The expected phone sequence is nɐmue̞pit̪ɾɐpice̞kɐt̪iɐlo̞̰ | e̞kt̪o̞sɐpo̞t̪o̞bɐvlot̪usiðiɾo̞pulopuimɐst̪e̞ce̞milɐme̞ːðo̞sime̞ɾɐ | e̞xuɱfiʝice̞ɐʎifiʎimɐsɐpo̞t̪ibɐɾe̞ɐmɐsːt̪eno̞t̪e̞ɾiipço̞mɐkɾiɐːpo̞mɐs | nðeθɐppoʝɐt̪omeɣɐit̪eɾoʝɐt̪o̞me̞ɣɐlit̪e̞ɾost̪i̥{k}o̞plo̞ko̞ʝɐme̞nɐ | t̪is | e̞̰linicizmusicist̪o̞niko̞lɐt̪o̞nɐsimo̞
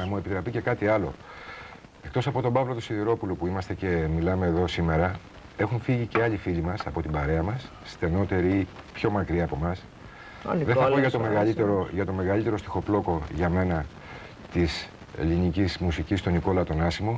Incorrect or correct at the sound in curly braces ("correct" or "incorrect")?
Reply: incorrect